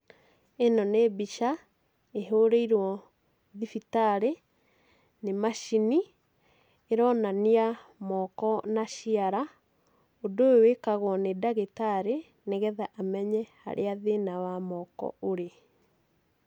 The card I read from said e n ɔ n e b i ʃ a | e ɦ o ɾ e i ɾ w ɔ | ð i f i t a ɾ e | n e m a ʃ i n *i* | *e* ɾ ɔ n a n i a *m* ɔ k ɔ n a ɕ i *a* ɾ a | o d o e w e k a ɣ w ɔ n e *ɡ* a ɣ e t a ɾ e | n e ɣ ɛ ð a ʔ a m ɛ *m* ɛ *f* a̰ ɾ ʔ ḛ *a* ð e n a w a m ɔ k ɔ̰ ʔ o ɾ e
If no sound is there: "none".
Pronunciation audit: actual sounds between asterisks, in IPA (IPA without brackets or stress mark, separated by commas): i, e, m, a, d, ɲ, h, a